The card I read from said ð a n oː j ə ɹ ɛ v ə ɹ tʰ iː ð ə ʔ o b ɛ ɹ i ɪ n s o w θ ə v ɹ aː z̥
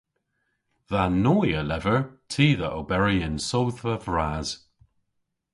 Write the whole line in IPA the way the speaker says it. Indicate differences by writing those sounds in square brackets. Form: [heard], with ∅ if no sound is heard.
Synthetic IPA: ð a n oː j ə [l] ɛ v ə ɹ tʰ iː ð ə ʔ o b ɛ ɹ i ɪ n s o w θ ə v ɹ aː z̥